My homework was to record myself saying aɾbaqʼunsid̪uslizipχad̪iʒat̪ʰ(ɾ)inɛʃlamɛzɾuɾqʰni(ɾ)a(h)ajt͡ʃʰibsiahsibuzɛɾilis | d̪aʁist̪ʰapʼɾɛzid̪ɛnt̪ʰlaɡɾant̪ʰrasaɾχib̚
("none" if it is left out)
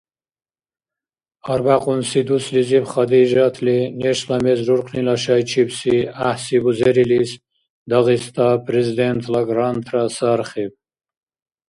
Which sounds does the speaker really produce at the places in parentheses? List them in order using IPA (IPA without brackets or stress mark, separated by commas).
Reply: l, l, ʃ